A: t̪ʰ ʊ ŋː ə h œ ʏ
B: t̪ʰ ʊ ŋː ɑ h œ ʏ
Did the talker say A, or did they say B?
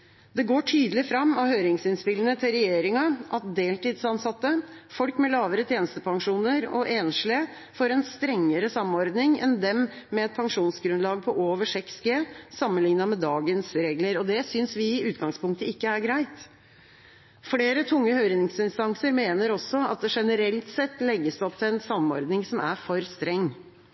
A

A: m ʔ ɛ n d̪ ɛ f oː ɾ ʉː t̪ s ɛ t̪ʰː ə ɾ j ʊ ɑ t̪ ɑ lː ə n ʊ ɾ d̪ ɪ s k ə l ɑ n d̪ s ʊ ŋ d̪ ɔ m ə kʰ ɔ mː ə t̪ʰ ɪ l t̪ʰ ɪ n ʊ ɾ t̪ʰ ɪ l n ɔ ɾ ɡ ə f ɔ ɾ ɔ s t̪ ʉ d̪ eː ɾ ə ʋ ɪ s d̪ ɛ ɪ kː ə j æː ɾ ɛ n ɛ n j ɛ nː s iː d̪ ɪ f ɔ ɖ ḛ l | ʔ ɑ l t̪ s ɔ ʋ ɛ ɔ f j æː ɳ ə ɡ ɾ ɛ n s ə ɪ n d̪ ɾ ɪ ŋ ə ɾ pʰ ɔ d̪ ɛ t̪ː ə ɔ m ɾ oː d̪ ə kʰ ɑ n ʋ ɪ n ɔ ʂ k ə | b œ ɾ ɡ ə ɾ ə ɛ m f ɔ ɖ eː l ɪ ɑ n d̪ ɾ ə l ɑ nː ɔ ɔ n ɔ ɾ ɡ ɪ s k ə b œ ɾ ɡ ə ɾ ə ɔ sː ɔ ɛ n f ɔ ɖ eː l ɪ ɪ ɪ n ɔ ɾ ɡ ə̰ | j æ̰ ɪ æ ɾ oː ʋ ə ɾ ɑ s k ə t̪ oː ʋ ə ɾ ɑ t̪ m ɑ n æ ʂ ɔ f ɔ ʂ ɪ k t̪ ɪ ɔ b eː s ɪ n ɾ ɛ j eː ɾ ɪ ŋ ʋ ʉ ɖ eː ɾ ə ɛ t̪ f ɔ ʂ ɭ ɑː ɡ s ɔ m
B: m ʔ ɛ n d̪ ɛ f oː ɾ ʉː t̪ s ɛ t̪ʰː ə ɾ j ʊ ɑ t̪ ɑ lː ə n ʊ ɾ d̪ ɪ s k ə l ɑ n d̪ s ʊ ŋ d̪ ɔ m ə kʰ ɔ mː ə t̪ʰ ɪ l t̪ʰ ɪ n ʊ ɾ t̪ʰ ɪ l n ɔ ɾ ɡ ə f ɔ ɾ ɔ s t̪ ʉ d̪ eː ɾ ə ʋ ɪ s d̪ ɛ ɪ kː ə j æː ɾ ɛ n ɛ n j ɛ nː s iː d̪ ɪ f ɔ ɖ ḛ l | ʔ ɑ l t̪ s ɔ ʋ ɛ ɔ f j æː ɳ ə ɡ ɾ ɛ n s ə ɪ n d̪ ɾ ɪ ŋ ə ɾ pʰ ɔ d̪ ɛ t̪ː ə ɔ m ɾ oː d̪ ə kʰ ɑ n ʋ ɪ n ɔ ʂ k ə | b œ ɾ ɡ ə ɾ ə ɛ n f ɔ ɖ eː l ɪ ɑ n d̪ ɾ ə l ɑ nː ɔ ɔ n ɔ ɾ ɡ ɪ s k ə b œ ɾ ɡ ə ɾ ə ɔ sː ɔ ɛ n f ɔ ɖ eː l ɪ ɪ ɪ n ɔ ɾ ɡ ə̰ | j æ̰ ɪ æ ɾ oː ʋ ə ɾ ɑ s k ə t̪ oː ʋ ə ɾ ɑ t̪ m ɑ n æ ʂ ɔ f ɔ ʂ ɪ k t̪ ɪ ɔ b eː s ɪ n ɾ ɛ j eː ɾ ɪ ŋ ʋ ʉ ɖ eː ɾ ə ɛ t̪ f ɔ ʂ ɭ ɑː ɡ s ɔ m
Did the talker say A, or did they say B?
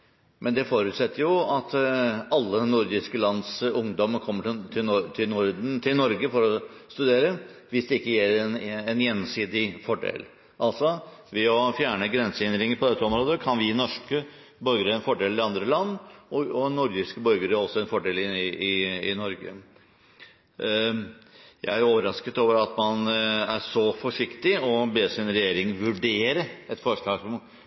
B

